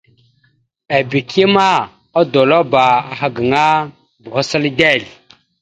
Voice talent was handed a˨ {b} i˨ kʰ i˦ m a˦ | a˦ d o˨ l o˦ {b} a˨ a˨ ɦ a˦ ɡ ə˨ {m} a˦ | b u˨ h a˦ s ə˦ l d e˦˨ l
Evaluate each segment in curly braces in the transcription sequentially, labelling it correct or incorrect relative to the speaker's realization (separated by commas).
correct, correct, incorrect